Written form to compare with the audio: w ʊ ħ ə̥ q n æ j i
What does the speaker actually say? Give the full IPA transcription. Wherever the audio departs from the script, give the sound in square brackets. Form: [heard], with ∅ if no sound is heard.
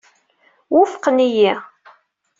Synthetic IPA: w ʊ [f] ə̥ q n [i] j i